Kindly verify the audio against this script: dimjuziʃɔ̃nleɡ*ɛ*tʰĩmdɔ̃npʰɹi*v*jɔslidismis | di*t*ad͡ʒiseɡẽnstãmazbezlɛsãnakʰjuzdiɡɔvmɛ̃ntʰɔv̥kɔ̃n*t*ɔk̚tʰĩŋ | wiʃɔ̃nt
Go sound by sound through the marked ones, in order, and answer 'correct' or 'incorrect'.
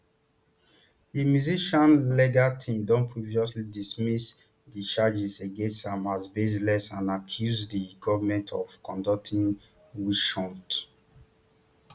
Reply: incorrect: a, correct, incorrect: t͡ʃ, incorrect: d

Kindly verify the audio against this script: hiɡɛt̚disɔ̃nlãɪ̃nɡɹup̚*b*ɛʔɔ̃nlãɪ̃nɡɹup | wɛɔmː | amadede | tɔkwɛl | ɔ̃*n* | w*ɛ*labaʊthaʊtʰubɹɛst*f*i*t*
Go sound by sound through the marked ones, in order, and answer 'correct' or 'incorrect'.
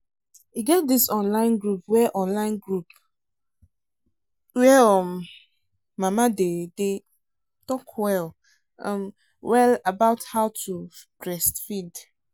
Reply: incorrect: w, incorrect: m, correct, correct, incorrect: d

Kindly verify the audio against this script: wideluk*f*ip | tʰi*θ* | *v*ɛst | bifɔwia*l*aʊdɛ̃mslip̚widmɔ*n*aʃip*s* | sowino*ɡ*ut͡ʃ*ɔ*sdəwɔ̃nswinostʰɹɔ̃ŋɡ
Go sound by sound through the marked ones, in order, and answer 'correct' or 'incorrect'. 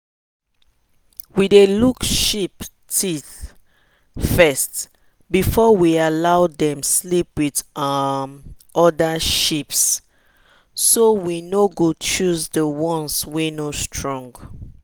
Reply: incorrect: ʃ, correct, incorrect: f, correct, incorrect: d, correct, correct, incorrect: u

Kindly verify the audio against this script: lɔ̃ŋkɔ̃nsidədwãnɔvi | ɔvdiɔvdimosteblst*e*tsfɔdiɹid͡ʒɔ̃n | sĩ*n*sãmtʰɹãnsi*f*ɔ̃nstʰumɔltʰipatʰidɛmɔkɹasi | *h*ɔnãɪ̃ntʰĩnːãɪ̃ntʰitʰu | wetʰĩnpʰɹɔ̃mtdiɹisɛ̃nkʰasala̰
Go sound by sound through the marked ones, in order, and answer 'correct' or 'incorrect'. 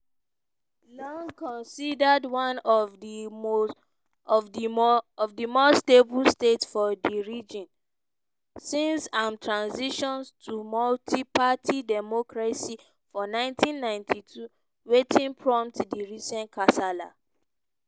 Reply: correct, correct, incorrect: ʃ, incorrect: f

